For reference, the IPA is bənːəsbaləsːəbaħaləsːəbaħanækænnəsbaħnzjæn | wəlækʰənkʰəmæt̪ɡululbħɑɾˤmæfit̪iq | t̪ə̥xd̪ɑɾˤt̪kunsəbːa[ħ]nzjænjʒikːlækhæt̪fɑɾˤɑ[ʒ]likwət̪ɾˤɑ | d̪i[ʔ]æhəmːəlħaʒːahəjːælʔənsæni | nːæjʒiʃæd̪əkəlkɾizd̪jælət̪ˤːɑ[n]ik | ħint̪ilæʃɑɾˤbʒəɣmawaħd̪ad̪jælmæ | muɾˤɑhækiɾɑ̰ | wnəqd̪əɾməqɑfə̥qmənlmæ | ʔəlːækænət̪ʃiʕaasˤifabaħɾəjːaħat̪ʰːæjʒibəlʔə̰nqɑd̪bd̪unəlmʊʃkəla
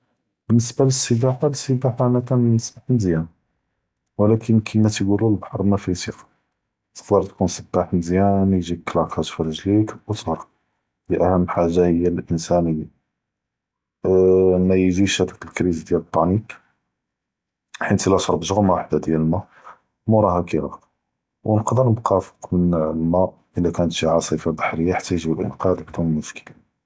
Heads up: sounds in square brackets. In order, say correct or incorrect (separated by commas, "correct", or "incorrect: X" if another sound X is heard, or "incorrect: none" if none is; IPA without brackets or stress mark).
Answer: correct, correct, correct, correct